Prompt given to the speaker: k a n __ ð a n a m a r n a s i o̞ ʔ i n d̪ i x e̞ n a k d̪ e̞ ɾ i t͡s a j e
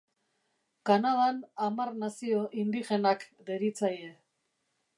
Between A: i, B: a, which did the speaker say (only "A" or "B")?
B